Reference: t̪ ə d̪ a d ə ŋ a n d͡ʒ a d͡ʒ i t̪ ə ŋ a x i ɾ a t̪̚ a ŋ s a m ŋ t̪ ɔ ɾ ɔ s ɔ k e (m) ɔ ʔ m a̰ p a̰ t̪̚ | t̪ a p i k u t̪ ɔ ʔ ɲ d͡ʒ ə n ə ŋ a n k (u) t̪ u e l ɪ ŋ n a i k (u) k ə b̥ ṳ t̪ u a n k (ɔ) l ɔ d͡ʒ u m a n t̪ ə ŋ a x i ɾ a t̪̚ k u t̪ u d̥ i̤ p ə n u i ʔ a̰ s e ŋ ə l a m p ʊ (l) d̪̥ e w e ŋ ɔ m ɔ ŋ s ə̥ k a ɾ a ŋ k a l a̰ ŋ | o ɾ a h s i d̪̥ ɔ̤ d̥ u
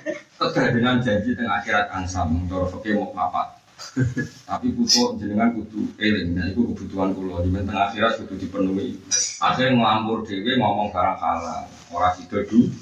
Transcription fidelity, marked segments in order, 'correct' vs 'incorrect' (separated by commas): correct, correct, correct, incorrect, incorrect